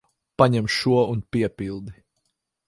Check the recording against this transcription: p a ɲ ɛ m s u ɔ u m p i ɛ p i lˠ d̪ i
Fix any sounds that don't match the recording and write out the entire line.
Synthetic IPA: p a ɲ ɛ m ʃ u ɔ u n p i ɛ p i lˠ d̪ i